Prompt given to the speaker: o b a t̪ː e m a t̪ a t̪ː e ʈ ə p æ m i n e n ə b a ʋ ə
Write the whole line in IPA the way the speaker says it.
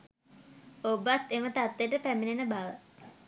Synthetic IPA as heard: o b a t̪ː e m ə t̪ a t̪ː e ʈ ə p æ m i n e n ə b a ʋ ə

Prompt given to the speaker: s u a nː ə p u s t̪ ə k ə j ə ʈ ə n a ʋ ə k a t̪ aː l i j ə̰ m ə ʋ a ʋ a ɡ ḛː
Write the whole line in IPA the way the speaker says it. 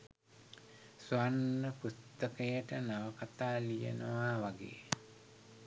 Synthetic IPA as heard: s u a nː ə p u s t̪ ə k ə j ə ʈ ə n a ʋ ə k a t̪ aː l i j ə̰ n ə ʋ a ʋ a ɡ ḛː

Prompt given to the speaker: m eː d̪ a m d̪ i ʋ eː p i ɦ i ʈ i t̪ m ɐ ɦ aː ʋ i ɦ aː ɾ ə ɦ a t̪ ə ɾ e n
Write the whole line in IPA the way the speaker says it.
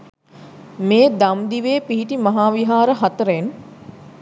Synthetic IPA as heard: m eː d̪ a m d̪ i ʋ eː p i ɦ i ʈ i m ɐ ɦ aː ʋ i ɦ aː ɾ ə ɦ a t̪ ə ɾ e n

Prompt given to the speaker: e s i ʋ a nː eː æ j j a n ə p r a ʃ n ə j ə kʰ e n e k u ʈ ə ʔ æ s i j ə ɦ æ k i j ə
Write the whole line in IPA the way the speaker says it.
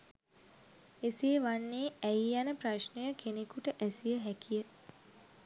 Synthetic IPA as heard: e s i ʋ a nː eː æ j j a n ə p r a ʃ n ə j ə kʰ e n e k u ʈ ə ʔ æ s i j ə ɦ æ k i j ə

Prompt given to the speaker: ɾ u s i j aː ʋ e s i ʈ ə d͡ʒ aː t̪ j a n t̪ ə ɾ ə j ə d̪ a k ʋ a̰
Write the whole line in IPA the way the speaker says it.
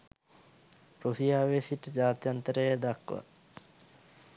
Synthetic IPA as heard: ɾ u s i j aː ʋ e s i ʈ ə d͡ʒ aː t̪ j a n t̪ ə ɾ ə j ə d̪ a k ʋ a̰

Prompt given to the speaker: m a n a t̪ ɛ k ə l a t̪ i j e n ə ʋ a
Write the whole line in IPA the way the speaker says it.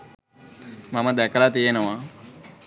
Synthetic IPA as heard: m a m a d̪ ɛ k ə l a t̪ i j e n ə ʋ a

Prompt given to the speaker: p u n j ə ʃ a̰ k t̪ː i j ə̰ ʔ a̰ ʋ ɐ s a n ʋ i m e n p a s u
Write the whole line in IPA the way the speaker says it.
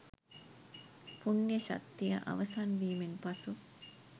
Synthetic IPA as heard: p u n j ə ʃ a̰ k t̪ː i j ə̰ ʔ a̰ ʋ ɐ s a n ʋ iː m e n p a s u

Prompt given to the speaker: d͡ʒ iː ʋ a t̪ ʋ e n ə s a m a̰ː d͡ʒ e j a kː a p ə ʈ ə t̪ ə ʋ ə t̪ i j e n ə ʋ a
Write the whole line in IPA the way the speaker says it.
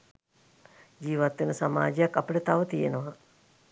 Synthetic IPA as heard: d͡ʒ iː ʋ a t̪ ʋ e n ə s a m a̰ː d͡ʒ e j a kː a p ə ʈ ə t̪ a ʋ ə t̪ i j e n ə ʋ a

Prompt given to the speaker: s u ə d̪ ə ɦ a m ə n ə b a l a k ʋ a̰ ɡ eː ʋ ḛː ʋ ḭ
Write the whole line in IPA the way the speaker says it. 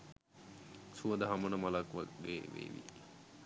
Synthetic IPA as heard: s u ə d̪ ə ɦ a m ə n ə m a l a k ʋ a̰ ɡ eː ʋ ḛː ʋ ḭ

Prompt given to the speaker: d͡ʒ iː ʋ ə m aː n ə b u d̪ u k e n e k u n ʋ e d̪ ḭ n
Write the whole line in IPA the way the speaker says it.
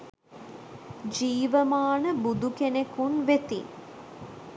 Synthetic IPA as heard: d͡ʒ iː ʋ ə m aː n ə b u d̪ u k e n e k u n ʋ e t̪ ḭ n

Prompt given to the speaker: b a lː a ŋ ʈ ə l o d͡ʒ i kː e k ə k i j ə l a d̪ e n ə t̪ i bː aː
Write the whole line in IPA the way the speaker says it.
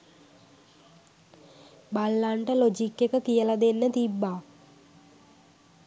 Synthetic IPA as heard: b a lː a ɳ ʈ ə l o d͡ʒ i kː e k ə k i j ə l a d̪ e nː ə t̪ i bː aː

